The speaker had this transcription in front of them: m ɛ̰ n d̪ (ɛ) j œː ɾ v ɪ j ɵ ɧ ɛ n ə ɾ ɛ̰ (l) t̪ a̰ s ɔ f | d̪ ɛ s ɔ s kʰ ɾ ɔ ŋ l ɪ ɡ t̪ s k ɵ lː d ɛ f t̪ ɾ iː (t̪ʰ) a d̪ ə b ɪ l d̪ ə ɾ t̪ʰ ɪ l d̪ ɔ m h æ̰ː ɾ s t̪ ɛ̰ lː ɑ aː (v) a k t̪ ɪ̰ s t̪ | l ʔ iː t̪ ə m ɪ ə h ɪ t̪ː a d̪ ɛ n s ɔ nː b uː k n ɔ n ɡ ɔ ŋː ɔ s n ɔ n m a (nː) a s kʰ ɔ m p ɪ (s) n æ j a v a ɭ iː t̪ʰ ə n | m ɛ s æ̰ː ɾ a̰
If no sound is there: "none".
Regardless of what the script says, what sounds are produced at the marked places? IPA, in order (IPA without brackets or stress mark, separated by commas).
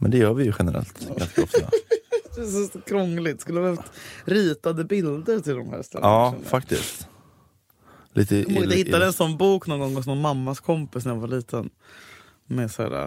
ɛ, l, t̪, f, mː, s